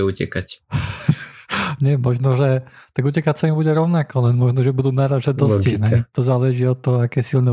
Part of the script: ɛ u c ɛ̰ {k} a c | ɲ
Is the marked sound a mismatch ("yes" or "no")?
no